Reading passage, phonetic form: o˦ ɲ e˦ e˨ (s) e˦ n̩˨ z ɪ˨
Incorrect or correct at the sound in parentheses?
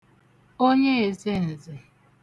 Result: incorrect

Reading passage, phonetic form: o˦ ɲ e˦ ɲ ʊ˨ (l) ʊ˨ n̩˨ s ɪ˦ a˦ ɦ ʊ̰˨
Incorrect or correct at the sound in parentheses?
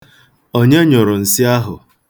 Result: incorrect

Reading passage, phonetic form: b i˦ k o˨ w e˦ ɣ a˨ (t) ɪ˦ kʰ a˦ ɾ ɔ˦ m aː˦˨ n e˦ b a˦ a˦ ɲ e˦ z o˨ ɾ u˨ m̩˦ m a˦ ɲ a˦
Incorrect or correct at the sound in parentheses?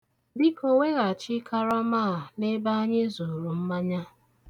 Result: incorrect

